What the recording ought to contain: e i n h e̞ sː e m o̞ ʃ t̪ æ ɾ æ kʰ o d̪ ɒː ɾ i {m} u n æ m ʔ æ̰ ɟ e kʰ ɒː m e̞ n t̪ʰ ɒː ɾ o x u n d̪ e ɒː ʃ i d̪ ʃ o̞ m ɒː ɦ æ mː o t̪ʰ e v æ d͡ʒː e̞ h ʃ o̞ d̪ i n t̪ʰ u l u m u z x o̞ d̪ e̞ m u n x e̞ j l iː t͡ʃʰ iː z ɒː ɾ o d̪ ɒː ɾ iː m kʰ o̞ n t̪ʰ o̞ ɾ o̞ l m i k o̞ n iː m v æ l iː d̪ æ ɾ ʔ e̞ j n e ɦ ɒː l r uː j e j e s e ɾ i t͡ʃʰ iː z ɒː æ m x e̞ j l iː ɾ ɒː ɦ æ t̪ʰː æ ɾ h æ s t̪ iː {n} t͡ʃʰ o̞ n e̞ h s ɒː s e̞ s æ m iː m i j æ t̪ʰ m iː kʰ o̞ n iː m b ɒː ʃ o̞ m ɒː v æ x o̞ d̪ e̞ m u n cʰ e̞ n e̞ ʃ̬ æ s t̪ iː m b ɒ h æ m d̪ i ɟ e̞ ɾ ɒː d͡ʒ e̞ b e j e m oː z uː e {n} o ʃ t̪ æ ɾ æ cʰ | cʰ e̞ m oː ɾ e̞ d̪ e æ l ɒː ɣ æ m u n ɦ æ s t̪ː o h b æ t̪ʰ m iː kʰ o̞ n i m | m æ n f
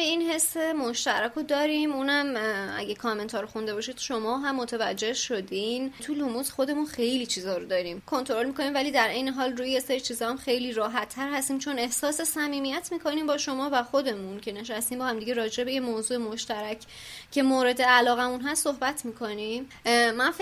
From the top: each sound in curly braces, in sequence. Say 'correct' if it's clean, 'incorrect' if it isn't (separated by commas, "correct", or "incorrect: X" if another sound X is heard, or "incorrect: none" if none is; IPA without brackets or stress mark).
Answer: correct, incorrect: m, incorrect: m